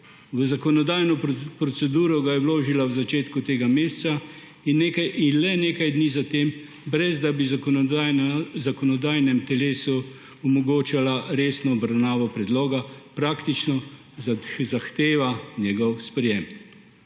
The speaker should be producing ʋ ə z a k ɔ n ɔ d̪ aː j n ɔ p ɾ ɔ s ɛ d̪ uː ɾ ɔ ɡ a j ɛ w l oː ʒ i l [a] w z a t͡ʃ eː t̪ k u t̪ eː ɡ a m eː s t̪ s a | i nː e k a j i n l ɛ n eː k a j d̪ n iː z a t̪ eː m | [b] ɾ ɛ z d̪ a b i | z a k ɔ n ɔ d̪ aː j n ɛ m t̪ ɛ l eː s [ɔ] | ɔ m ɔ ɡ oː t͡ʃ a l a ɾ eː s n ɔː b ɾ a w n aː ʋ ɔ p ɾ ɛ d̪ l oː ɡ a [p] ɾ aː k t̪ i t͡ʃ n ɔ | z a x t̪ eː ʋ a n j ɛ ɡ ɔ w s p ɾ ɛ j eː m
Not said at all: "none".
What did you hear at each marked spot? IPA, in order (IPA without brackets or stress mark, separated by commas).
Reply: a, b, u, p